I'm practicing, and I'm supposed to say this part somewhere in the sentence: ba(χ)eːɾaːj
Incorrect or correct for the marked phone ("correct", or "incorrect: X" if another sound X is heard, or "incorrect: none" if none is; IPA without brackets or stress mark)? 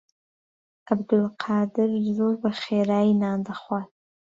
correct